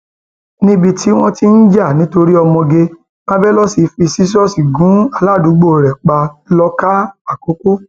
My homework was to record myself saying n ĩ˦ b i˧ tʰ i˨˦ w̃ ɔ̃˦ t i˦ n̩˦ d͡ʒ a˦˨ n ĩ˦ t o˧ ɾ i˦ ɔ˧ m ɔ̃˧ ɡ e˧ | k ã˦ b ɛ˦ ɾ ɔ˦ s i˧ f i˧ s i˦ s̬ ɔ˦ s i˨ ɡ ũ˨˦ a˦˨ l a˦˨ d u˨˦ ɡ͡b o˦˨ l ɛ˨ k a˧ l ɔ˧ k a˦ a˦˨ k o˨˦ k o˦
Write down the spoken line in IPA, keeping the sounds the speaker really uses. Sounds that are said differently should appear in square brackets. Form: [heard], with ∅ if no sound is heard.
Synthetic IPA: n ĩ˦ b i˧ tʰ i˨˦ w̃ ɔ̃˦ t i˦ n̩˦ d͡ʒ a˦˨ n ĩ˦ t o˧ ɾ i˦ ɔ˧ m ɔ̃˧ ɡ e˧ | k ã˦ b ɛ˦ [l] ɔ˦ s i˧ f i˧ s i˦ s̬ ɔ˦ s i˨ ɡ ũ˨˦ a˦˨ l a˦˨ d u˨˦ ɡ͡b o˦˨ [ɾ] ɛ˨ [k͡p] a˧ l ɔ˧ k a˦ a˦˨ k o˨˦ k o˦

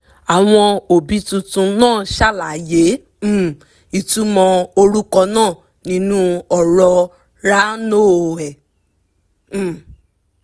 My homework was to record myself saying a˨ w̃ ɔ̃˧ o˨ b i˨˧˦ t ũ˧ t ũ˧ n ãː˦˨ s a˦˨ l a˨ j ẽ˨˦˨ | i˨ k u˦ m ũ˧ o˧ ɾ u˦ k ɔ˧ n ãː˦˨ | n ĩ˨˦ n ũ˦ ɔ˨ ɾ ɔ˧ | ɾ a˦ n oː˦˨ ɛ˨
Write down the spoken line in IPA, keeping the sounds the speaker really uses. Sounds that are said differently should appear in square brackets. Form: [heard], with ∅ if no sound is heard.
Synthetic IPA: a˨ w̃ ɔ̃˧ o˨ b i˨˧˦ t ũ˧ t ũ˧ n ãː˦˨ [ʃ] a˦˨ l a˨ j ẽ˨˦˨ | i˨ [t] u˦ m [ɔ̃˧] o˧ ɾ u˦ k ɔ˧ n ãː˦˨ | n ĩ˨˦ n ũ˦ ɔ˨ ɾ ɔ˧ | ɾ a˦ n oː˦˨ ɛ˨

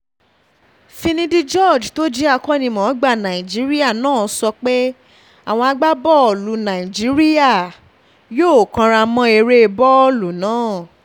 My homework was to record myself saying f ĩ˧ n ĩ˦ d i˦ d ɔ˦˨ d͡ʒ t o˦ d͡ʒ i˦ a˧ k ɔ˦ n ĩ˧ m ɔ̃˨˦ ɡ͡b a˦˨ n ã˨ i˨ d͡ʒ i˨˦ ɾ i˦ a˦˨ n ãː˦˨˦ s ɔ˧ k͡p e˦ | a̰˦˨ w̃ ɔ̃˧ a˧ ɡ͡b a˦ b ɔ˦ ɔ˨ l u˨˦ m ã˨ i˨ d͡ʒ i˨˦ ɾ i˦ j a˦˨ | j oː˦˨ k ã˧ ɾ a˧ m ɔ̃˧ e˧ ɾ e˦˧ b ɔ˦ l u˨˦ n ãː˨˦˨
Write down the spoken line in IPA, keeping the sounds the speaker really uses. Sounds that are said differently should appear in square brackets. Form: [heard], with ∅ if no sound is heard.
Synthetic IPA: f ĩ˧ n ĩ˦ d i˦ [d͡ʒ] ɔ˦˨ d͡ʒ t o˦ d͡ʒ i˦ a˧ k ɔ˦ n ĩ˧ m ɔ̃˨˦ ɡ͡b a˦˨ n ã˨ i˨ d͡ʒ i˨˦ ɾ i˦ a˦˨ n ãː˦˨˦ s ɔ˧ k͡p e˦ | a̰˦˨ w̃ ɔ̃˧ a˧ ɡ͡b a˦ b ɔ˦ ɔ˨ l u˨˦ [n] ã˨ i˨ d͡ʒ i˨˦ ɾ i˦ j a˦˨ | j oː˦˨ k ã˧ ɾ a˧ m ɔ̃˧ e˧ ɾ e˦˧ b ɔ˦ l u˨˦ n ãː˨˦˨

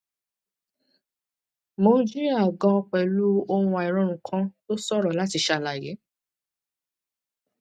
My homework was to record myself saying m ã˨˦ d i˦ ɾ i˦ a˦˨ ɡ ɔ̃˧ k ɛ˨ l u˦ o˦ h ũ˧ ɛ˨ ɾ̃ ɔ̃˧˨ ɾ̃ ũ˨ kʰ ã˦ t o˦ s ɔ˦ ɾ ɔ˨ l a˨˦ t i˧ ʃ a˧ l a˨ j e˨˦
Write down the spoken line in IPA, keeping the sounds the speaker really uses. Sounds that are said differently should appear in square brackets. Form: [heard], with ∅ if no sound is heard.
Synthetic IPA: m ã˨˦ [d͡ʒ] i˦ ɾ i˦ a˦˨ ɡ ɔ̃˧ [k͡p] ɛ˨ l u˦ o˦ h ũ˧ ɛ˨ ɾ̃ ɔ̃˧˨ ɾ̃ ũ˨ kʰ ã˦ t o˦ s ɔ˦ ɾ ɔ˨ l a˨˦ t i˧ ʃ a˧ l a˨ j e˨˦

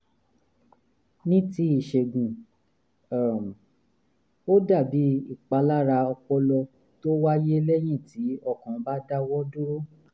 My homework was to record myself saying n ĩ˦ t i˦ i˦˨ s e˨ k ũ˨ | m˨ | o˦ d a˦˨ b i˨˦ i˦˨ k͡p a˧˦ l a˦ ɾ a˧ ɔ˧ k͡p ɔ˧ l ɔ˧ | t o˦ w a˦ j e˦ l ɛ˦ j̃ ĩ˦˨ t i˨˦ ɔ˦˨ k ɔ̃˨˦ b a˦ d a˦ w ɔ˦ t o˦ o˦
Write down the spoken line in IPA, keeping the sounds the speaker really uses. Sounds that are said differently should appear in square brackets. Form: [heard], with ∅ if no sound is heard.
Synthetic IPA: n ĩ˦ t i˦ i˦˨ [ʃ] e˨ [ɡ] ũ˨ | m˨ | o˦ d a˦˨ b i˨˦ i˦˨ k͡p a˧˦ l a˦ ɾ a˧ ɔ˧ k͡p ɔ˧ l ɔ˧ | t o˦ w a˦ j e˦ l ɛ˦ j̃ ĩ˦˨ t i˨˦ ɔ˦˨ k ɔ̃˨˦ b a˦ d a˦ w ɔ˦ [d] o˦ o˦

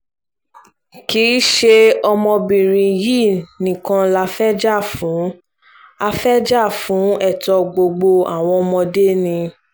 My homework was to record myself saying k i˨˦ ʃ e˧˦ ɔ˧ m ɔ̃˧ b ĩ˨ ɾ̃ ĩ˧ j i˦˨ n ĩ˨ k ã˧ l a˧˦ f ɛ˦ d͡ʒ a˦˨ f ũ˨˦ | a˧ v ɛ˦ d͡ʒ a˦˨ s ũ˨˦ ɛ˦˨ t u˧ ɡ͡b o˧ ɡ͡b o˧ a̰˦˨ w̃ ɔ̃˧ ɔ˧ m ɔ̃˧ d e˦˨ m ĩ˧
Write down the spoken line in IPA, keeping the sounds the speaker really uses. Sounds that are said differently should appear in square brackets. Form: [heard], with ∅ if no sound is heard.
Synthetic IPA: k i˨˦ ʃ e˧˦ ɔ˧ m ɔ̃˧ b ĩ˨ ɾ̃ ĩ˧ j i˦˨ n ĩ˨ k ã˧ l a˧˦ f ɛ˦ d͡ʒ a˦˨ f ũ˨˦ | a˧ [f] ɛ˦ d͡ʒ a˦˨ [f] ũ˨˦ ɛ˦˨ t [ɔ˧] ɡ͡b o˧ ɡ͡b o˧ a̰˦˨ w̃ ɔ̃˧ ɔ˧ m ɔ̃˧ d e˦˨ [n] ĩ˧

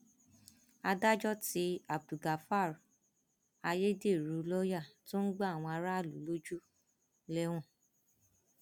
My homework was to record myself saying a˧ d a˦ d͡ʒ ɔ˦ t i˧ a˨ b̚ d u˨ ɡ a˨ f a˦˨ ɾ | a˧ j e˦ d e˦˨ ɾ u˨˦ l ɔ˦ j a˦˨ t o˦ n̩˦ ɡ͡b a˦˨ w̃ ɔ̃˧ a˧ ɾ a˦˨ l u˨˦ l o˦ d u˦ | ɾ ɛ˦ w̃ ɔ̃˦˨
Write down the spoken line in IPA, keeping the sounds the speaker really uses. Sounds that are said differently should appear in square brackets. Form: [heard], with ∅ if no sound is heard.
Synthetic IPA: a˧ d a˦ d͡ʒ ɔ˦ t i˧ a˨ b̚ d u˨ ɡ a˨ f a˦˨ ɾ | a˧ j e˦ d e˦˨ ɾ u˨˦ l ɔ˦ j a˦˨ t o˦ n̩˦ ɡ͡b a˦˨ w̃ ɔ̃˧ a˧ ɾ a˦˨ l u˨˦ l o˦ [d͡ʒ] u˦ | [l] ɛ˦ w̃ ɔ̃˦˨

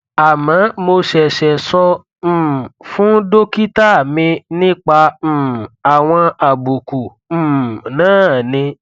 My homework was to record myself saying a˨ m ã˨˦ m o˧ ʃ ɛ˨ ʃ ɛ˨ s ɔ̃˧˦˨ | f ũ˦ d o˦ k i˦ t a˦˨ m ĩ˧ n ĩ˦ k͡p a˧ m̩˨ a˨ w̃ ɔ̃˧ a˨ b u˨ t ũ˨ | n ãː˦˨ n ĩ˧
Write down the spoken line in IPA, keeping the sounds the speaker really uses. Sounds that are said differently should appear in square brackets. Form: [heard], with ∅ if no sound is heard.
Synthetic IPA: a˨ m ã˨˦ m o˧ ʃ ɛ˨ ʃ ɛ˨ s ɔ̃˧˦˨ | f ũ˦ d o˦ k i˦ t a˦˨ m ĩ˧ n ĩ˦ k͡p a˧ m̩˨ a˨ w̃ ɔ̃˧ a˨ b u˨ [k] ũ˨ | n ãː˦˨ n ĩ˧

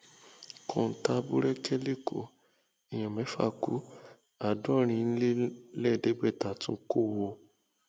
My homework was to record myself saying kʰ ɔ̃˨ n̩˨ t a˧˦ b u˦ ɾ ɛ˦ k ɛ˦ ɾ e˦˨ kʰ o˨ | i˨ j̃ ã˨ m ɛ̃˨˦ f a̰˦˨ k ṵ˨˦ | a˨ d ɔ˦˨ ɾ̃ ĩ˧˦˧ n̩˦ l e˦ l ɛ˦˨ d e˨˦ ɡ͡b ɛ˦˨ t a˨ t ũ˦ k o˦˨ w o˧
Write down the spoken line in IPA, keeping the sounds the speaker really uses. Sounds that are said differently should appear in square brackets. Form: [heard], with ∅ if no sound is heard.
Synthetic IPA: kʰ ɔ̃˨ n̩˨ t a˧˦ b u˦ ɾ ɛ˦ k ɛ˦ [l] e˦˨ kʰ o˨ | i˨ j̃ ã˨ m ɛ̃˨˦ f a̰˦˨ k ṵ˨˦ | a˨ d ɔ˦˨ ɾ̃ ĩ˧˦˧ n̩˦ l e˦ l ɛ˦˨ d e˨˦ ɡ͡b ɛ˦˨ t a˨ t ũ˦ k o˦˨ w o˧

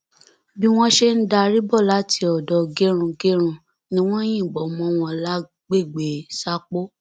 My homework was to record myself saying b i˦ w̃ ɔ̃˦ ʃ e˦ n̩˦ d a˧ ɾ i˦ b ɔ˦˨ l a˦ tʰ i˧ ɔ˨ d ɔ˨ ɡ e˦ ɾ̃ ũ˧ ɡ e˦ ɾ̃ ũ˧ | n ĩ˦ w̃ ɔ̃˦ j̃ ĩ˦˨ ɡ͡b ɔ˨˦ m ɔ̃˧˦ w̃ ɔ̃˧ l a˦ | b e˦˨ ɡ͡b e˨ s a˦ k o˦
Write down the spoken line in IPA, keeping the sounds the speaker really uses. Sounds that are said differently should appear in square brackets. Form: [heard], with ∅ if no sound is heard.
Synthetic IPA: b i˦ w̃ ɔ̃˦ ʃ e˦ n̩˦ d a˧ ɾ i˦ b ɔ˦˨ l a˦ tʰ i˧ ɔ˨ d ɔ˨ ɡ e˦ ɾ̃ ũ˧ ɡ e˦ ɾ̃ ũ˧ | n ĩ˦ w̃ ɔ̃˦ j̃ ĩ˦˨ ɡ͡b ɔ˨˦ m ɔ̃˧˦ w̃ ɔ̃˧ l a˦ | [ɡ͡b] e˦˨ ɡ͡b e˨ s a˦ [k͡p] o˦

